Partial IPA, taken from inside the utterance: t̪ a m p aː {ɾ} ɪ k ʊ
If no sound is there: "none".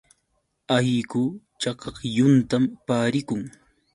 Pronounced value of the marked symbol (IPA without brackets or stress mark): ɾ